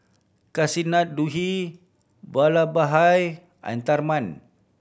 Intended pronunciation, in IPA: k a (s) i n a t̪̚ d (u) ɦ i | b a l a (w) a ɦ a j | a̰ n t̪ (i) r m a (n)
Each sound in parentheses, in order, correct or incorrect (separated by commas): correct, correct, incorrect, incorrect, correct